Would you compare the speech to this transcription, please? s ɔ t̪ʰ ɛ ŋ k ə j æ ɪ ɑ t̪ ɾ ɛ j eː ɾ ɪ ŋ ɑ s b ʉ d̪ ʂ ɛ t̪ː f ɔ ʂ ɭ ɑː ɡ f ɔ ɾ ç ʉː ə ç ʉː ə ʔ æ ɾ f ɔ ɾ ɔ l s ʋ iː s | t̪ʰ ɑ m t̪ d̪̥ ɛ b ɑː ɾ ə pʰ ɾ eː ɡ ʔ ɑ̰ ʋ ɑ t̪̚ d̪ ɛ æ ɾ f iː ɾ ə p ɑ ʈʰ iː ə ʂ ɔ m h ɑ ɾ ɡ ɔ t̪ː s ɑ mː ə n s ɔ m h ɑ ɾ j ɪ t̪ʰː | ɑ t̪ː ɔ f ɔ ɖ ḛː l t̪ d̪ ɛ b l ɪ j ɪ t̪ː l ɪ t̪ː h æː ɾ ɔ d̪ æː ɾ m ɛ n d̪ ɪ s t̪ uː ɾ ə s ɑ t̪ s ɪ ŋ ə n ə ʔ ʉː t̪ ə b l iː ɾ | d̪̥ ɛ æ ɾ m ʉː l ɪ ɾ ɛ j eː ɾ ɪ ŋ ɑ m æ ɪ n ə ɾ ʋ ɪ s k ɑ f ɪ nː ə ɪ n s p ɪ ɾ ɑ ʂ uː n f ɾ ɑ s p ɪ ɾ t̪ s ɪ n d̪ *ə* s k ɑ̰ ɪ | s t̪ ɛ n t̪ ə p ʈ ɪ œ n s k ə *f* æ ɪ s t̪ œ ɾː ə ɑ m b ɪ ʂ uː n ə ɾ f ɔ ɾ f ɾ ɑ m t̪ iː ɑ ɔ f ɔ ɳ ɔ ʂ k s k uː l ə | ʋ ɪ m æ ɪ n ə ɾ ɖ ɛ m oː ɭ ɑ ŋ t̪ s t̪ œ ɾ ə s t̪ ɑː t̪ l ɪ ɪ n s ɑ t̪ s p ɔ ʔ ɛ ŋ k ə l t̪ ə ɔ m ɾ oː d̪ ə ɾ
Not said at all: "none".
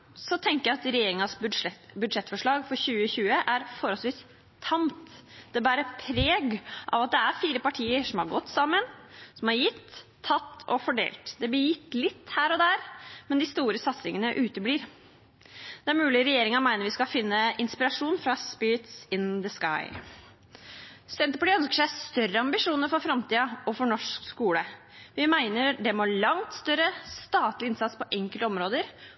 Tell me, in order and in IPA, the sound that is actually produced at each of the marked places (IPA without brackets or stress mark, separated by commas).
ə, ʂ